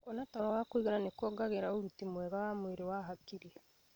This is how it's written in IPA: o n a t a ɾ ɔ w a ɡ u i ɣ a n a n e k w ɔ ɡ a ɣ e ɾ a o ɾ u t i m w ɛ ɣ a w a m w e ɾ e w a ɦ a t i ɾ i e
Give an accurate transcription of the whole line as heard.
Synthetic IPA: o n a t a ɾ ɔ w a k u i ɣ a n a n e k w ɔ ɡ a ɣ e ɾ a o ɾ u t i m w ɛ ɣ a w a m w e ɾ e w a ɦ a k i ɾ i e